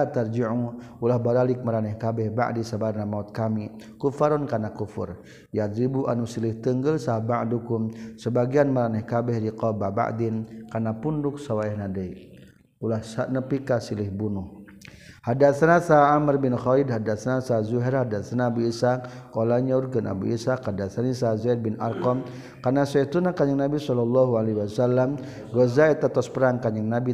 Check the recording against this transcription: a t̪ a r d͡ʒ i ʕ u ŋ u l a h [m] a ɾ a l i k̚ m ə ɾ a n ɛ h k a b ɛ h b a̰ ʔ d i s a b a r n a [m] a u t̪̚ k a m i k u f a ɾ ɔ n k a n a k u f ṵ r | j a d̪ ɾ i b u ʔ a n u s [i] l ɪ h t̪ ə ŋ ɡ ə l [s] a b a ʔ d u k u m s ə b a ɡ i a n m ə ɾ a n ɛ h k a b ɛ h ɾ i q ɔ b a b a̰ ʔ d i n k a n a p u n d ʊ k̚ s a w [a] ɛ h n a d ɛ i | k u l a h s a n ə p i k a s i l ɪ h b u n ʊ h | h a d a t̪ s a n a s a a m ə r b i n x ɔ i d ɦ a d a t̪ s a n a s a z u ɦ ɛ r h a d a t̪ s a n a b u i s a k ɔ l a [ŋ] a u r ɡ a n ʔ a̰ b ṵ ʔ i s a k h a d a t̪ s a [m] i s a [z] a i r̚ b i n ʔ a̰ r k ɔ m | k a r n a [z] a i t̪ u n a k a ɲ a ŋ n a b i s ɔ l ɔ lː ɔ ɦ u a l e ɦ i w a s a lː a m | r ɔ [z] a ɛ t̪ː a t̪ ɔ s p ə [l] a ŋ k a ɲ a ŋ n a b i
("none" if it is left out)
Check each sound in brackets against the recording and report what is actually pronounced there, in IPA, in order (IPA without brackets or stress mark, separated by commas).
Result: b, m, i, s, a, ɲ, n, z, s, z, ɾ